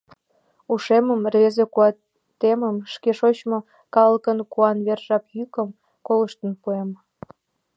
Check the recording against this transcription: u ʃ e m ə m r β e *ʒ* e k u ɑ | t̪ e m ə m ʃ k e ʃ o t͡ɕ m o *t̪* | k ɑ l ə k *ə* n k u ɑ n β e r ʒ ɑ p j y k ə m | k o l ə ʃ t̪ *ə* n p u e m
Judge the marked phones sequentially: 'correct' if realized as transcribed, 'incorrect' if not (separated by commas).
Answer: incorrect, incorrect, correct, correct